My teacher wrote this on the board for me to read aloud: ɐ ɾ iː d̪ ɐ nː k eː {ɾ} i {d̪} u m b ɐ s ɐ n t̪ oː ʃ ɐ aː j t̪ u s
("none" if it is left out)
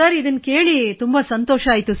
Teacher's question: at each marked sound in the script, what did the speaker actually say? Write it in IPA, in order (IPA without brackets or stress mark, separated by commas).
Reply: ɭ, t̪